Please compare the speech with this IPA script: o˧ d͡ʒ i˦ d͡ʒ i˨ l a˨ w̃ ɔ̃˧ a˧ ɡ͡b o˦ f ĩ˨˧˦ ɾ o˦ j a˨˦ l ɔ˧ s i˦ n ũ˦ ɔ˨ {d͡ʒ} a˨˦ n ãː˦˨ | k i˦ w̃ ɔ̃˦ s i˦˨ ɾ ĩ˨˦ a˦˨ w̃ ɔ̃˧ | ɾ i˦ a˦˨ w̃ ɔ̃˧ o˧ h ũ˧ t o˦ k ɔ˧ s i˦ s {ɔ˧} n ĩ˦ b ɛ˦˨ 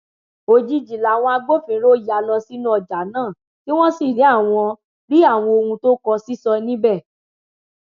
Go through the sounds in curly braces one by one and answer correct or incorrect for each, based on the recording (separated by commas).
correct, correct